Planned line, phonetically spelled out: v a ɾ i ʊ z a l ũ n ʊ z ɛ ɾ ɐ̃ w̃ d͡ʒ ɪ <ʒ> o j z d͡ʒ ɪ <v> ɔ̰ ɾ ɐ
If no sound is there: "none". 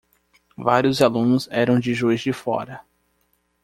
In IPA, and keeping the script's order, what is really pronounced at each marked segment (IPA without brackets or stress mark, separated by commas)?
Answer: ʒ, f